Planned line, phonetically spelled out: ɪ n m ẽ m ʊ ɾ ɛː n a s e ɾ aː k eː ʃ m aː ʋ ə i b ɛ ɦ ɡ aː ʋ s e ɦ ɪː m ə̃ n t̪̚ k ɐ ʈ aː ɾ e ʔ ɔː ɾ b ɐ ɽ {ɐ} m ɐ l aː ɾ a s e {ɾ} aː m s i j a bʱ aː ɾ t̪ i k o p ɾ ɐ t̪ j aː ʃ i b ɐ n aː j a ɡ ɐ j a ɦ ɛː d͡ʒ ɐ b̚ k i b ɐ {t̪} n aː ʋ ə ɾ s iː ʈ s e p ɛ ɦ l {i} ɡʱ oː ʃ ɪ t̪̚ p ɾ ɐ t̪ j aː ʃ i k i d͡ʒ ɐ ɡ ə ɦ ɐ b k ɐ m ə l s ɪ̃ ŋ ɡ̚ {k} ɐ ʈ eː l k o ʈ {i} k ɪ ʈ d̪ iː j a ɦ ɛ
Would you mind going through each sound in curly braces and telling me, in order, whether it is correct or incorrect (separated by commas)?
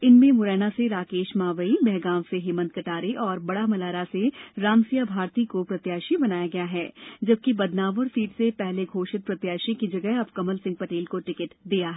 incorrect, correct, incorrect, incorrect, incorrect, incorrect